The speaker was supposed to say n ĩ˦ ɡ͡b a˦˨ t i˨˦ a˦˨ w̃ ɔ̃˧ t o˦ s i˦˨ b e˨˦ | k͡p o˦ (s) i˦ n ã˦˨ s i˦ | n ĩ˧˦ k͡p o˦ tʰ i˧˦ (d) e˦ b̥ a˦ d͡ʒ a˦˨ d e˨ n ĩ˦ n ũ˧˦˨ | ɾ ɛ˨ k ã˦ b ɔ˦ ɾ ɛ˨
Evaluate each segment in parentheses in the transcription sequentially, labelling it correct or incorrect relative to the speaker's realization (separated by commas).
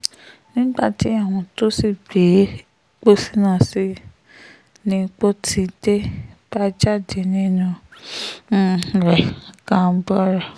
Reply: correct, correct